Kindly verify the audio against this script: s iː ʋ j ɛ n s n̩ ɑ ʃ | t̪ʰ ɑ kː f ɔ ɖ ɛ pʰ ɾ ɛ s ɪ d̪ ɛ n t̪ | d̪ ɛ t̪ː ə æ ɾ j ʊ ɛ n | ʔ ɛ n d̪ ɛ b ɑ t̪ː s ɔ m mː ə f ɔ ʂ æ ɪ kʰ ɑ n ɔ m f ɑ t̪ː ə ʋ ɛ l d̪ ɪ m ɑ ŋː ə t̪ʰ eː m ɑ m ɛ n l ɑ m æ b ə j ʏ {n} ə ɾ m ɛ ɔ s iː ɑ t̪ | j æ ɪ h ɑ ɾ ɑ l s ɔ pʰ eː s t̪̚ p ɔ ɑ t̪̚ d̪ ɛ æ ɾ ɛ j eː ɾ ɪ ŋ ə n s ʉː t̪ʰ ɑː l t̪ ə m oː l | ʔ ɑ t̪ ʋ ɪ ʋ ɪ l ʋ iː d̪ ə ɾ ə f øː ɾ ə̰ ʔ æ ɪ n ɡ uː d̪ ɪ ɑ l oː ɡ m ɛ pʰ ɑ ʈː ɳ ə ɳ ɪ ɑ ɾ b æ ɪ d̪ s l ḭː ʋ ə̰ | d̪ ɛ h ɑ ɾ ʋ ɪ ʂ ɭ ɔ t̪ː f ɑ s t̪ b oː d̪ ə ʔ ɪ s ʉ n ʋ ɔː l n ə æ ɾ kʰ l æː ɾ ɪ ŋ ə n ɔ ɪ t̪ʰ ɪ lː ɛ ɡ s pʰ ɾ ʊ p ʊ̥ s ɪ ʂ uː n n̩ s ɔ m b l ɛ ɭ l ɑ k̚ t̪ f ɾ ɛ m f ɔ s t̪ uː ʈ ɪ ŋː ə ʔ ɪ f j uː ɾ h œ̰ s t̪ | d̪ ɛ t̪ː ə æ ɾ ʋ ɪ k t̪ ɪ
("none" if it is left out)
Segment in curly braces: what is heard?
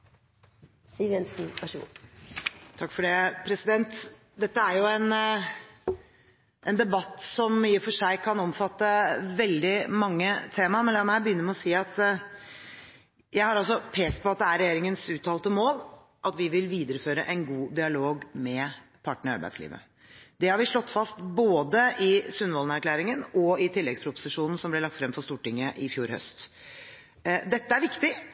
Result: nː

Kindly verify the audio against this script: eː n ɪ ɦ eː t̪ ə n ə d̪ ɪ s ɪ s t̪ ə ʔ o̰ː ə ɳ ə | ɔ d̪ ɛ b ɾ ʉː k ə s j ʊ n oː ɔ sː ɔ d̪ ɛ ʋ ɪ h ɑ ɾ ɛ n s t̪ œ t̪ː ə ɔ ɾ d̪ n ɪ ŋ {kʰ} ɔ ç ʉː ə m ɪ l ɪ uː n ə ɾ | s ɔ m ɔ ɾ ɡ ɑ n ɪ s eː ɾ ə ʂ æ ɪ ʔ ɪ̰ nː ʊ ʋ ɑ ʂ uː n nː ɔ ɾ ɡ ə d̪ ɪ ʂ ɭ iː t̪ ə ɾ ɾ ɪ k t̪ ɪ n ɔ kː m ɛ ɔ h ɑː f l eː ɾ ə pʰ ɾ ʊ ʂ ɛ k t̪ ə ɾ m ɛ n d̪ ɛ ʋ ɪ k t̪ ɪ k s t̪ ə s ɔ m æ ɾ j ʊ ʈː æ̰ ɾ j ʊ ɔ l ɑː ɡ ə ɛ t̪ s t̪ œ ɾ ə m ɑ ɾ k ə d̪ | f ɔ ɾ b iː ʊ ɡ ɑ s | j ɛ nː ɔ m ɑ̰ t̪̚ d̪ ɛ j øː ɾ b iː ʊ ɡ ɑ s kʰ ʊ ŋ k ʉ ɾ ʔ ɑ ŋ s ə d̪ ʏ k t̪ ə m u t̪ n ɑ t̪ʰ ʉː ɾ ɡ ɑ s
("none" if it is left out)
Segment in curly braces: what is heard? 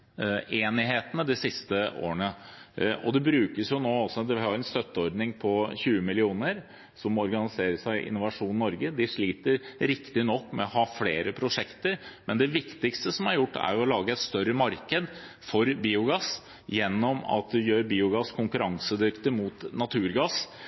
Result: pʰ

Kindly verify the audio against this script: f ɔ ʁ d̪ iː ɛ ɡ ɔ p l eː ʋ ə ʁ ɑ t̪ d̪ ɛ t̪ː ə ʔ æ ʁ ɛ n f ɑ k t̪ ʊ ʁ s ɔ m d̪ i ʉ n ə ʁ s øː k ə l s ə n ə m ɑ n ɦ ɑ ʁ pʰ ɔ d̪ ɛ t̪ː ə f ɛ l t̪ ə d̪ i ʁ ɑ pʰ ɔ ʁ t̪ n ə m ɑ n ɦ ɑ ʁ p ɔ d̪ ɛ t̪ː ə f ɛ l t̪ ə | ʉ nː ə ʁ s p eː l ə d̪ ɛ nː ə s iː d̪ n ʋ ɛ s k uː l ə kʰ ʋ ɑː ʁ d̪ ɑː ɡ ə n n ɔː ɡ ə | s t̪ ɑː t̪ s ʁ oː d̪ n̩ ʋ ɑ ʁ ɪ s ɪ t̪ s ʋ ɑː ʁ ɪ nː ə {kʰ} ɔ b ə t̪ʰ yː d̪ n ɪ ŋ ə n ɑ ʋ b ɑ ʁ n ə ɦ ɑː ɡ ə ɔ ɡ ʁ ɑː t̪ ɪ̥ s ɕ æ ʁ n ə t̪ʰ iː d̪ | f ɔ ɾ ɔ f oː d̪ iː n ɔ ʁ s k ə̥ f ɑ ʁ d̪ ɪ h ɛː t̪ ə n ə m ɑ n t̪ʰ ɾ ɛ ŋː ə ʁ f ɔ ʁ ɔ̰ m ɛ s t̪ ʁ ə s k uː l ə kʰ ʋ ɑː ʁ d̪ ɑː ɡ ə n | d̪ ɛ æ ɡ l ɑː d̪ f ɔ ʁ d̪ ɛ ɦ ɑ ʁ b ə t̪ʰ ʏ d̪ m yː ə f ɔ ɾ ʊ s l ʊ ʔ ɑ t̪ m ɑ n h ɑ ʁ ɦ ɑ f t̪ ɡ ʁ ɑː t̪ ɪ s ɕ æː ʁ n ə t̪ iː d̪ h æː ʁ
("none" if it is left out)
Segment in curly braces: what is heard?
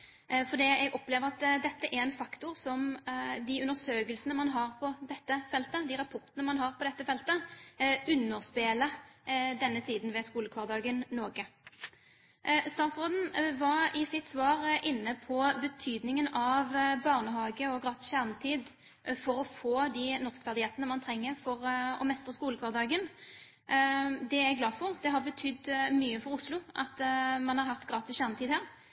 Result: pʰ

